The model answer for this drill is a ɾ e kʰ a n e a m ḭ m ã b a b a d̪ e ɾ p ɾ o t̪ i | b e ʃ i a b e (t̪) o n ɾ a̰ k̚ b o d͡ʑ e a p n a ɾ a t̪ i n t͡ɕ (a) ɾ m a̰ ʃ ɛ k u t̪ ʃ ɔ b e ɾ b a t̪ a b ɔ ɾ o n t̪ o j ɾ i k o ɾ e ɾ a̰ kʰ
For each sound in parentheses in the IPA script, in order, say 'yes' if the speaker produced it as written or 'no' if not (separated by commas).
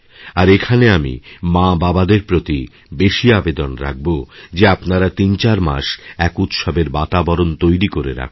no, yes